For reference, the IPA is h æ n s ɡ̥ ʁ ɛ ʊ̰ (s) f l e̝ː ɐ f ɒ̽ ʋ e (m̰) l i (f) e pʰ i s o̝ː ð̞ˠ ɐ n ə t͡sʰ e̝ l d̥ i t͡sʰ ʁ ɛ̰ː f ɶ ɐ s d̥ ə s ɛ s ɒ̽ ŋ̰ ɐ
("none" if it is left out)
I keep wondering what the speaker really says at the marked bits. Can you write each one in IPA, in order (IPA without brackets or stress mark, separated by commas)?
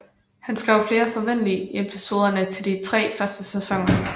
none, n̰, none